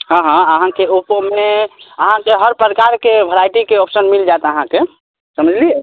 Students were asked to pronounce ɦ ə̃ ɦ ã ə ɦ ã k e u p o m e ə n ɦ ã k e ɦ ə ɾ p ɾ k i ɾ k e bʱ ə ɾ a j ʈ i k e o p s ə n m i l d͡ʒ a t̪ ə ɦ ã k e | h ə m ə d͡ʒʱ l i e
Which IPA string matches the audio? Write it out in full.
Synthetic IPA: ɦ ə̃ ɦ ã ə ɦ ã k e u p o m e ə ɦ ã k e ɦ ə ɾ p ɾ k a ɾ k e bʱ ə ɾ a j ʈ i k e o p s ə n m i l d͡ʒ a t̪ ə ɦ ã k e | s ə m ə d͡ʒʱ l i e